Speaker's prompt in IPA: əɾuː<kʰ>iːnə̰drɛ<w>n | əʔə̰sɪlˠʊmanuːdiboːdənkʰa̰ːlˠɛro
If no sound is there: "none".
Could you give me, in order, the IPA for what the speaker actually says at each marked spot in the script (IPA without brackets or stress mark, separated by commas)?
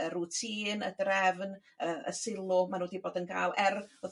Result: tʰ, v